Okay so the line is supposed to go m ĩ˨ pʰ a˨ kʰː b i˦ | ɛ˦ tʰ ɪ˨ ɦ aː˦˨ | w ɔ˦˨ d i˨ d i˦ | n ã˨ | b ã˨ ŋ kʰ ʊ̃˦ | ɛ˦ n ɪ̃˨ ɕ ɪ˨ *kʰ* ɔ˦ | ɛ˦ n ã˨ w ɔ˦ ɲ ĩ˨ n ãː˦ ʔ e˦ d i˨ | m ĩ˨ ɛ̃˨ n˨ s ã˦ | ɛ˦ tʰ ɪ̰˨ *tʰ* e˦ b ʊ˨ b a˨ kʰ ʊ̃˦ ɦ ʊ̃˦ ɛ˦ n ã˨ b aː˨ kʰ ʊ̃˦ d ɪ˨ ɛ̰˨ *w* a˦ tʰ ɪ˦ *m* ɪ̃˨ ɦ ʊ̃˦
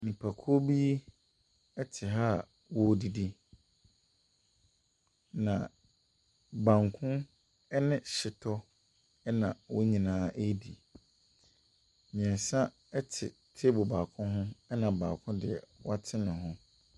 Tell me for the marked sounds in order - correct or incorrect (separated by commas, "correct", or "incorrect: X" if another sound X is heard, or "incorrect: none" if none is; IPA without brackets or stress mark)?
incorrect: tʰ, correct, correct, incorrect: n